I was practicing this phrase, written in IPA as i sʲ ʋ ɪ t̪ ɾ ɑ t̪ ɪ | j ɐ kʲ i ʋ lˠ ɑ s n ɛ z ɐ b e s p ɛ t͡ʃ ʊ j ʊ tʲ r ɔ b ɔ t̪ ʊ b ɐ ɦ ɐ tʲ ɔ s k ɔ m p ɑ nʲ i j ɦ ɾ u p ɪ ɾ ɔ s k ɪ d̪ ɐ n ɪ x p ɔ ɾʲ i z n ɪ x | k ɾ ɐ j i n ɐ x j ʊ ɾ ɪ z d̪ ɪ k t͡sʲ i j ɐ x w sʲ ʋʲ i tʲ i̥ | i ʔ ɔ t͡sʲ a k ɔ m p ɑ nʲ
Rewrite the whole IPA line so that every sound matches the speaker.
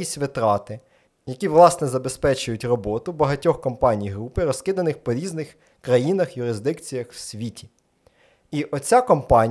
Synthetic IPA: i sʲ ʋ ɪ t̪ ɾ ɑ t̪ ɪ | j ɐ kʲ i ʋ lˠ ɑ s n ɛ z ɐ b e s p ɛ t͡ʃ ʊ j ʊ tʲ r ɔ b ɔ t̪ ʊ b ɐ ɦ ɐ tʲ ɔ x k ɔ m p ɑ nʲ i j ɦ ɾ u p ɪ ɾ ɔ s k ɪ d̪ ɐ n ɪ x p ɔ ɾʲ i z n ɪ x | k ɾ ɐ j i n ɐ x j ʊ ɾ ɪ z d̪ ɪ k t͡sʲ i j ɐ x w sʲ ʋʲ i tʲ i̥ | i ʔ ɔ t͡sʲ a k ɔ m p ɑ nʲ